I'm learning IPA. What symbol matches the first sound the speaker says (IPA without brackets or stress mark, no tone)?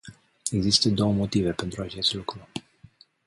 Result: e̞